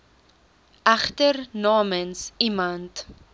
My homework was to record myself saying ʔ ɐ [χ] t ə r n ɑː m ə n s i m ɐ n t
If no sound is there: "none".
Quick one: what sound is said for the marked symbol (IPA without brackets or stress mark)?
χ